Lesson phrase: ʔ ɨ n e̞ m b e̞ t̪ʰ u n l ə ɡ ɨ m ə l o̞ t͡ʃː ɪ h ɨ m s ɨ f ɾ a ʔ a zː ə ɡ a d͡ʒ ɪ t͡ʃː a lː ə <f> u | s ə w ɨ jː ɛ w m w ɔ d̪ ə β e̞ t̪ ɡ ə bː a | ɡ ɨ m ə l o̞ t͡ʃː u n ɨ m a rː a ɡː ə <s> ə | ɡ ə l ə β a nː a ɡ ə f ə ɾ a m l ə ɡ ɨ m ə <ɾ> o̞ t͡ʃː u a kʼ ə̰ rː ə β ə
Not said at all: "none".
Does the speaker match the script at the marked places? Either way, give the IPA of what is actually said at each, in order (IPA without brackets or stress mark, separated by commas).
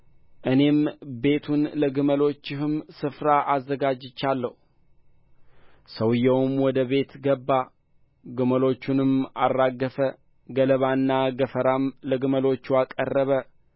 h, f, l